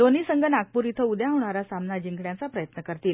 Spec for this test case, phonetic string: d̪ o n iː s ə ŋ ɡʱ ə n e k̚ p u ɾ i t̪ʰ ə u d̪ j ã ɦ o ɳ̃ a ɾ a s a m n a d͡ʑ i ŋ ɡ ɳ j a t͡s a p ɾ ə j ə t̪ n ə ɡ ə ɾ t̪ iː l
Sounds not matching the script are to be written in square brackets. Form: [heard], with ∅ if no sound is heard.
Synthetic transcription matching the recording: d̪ o n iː s ə ŋ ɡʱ ə n [a] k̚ p u ɾ i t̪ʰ ə u d̪ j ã ɦ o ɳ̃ a ɾ a s a m n a d͡ʑ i ŋ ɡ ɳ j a t͡s a p ɾ ə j ə t̪ n ə [k] ə ɾ t̪ iː l